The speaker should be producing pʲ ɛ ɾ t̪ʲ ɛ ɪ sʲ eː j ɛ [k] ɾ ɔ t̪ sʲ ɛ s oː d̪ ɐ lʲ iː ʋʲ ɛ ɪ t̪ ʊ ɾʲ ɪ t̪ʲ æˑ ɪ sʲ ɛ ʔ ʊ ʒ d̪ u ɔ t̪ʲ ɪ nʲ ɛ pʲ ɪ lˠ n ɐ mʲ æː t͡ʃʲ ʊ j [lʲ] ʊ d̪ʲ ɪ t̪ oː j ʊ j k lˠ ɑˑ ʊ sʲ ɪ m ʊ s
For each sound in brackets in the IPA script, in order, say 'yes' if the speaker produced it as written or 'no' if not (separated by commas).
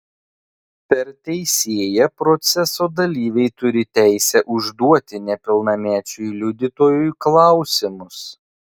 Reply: no, yes